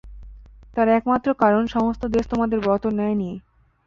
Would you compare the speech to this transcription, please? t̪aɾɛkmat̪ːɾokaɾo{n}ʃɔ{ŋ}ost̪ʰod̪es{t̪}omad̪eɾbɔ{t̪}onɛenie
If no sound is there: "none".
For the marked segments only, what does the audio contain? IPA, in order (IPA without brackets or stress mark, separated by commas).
n, m, t̪, t̪